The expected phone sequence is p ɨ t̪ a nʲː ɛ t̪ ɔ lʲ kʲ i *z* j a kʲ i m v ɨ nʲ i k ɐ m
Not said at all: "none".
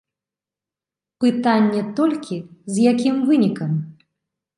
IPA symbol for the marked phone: z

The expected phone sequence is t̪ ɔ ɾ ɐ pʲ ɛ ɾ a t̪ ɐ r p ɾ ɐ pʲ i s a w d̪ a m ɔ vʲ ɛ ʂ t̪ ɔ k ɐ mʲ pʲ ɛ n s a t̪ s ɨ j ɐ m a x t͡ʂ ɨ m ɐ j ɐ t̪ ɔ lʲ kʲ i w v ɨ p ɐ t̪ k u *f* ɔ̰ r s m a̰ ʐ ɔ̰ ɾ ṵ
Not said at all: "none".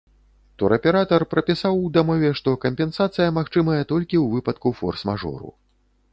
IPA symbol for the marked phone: f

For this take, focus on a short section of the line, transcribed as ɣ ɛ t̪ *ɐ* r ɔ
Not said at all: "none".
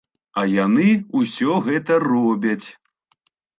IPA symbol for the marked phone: ɐ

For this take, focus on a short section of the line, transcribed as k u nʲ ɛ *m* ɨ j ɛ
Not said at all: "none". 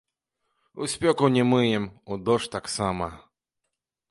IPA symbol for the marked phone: m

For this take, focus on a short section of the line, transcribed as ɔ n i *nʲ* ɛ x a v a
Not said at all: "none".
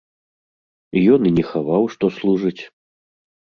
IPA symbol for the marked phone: nʲ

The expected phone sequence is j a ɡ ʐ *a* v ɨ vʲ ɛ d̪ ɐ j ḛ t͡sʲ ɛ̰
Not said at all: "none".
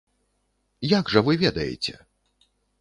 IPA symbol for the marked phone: ɐ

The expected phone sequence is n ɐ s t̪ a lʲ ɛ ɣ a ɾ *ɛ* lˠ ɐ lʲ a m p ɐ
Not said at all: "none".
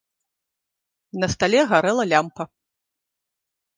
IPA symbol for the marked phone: ɛ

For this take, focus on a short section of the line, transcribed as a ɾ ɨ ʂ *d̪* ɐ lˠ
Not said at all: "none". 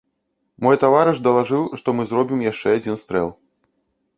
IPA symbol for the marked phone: d̪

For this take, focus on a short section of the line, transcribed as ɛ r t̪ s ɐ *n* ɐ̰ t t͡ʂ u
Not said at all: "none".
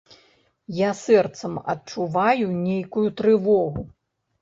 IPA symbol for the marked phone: m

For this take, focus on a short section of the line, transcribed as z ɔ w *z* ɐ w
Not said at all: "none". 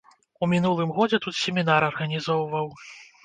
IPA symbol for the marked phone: v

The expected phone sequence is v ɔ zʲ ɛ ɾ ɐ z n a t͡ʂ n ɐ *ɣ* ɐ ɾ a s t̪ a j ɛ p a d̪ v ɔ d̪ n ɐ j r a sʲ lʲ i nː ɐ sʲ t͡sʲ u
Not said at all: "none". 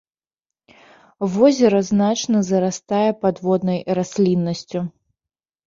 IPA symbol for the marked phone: z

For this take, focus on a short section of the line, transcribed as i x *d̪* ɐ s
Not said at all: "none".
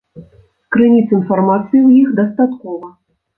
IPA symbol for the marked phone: d̪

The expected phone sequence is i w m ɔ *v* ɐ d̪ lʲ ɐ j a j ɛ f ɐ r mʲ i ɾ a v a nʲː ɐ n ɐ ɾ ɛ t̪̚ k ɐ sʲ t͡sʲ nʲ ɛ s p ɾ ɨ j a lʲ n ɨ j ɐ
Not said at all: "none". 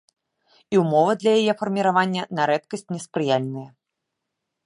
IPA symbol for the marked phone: v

